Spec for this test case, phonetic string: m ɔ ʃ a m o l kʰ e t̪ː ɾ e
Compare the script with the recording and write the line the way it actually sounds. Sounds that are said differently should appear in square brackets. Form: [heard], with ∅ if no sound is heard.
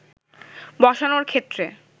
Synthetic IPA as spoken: [b] ɔ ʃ a [n] o [ɾ] kʰ e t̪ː ɾ e